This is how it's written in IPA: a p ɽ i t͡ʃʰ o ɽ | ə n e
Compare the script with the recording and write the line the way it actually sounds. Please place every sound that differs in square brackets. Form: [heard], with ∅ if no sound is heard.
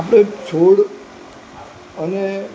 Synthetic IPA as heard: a p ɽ [e] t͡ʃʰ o ɽ | ə n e

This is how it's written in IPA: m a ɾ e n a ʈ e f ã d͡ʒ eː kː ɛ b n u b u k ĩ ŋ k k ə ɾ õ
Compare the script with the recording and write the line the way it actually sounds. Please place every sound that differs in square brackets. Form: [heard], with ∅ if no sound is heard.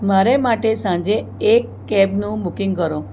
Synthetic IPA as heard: m a ɾ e [m] a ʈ e [s] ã d͡ʒ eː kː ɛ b n [ũ] b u k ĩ ŋ [ɡ] k ə ɾ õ

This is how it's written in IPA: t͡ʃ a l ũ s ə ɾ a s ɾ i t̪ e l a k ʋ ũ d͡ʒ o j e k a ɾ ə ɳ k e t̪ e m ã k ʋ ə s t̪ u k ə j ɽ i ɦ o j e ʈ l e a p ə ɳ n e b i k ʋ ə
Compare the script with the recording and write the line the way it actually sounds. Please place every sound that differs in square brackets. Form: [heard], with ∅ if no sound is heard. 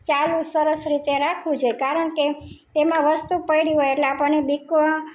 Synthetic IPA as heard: t͡ʃ a l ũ s ə ɾ [ə] s ɾ i t̪ e [ɾ] a [kʰ] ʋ ũ d͡ʒ o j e k a ɾ ə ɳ k e t̪ e m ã [∅] ʋ ə s t̪ u [p] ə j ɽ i ɦ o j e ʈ l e a p ə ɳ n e b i k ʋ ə

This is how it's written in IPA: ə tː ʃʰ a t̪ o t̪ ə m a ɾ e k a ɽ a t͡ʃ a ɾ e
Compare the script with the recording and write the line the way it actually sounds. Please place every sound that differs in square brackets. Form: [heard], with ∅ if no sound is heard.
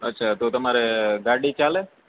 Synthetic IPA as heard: ə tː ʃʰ a t̪ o t̪ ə m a ɾ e [ɡ] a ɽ [i] t͡ʃ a [l] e

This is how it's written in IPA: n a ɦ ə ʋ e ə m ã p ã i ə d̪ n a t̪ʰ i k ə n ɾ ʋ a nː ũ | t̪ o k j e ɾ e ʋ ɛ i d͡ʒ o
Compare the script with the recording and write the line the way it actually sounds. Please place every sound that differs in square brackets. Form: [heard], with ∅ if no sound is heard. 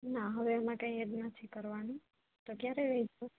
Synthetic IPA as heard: n a ɦ ə ʋ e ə m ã [k] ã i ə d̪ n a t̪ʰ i k ə [∅] ɾ ʋ a [n] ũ | t̪ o k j [a] ɾ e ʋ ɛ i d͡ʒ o

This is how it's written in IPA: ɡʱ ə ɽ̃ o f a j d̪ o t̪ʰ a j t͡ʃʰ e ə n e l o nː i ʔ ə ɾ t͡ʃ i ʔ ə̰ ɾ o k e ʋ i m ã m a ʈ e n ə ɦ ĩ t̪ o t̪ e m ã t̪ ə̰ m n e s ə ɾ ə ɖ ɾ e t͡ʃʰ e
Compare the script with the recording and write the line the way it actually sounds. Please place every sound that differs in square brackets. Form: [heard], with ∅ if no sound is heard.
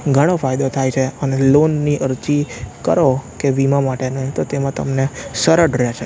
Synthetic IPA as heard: ɡʱ ə ɽ̃ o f a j d̪ o t̪ʰ a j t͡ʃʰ e ə n e l o nː i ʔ ə ɾ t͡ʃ i [k] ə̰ ɾ o k e ʋ i m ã m a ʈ e n ə ɦ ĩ t̪ o t̪ e m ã t̪ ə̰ m n e s ə ɾ ə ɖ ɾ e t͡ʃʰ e

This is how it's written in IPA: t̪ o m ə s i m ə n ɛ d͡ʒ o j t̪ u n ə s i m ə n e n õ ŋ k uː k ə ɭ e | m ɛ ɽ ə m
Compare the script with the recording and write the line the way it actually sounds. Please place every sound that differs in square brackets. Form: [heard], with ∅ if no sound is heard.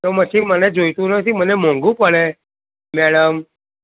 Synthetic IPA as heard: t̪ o m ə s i m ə n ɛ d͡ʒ o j t̪ u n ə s i m ə n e [m] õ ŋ [ɡ] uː [p] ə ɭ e | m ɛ ɽ ə m

